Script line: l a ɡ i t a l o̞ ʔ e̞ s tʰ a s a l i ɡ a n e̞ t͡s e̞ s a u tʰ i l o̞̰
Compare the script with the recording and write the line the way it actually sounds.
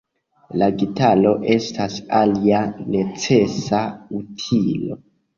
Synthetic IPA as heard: l a ɡ i t a l o̞ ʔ e̞ s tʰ a s a l i a n e̞ t͡s e̞ s a u tʰ i l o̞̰